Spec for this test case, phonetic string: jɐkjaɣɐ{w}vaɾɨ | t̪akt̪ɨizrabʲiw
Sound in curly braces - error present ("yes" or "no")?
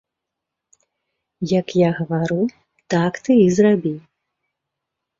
yes